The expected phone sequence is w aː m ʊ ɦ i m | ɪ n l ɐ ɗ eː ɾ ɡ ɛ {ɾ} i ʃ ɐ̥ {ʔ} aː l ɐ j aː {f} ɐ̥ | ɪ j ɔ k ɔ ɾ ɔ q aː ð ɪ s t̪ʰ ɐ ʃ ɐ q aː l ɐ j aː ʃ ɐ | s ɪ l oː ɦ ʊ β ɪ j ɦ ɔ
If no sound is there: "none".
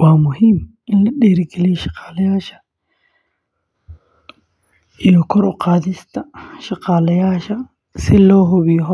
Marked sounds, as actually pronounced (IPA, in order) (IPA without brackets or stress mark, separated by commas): l, q, ʃ